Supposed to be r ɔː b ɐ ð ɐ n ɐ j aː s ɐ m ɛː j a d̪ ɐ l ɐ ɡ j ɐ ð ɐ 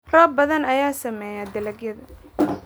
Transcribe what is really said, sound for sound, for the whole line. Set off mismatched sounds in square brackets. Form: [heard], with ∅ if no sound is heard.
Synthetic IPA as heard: r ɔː b ɐ ð ɐ n ɐ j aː s ɐ m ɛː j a d̪ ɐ l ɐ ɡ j ɐ ð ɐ